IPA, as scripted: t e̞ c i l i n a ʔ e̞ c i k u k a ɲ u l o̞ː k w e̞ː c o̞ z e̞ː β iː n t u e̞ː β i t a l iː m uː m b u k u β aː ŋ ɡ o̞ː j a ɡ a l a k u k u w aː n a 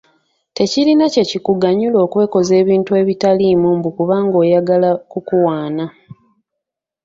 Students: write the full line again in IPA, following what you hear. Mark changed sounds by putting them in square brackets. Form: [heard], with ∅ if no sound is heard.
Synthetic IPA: t e̞ c i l i n a [c] e̞ c i k u [ɡ] a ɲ u l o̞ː k w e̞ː [k] o̞ z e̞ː β iː n t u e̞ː β i t a l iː m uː m b u k u β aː ŋ ɡ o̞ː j a ɡ a l a k u k u w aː n a